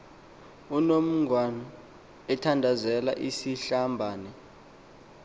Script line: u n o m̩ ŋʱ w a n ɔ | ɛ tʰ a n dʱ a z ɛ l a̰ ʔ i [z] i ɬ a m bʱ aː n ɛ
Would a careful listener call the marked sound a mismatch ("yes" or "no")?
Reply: yes